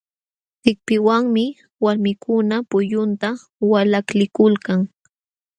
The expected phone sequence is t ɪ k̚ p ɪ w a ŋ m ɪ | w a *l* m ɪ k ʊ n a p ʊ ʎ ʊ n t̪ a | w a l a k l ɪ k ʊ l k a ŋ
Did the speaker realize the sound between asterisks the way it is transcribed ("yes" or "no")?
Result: no